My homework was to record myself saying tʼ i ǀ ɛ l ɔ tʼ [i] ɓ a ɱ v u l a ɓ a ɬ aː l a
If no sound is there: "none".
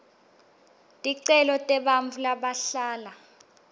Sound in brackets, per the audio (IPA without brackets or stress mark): ɛ